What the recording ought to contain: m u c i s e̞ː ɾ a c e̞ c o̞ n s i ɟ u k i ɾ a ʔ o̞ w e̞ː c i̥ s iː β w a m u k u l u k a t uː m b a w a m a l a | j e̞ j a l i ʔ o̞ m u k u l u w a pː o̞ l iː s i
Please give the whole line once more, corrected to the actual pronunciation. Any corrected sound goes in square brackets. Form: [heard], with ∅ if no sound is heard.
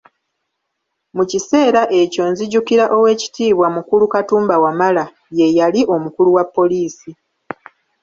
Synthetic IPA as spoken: m u c i s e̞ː ɾ a [ʔ] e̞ c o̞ n [z] i ɟ u k i ɾ a ʔ o̞ w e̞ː c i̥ [t] iː β w a m u k u l u k a t uː m b a w a m a l a | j e̞ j a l i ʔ o̞ m u k u l u w a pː o̞ l iː s i